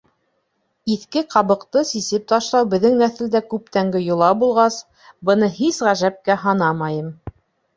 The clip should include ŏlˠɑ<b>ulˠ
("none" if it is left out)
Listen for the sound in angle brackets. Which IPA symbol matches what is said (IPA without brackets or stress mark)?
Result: b